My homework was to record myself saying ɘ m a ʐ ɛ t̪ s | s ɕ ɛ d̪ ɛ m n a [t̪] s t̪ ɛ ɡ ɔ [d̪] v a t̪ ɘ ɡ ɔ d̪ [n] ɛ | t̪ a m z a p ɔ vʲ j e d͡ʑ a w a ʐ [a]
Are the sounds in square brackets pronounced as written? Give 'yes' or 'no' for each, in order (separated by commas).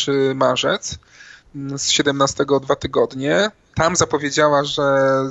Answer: no, yes, no, no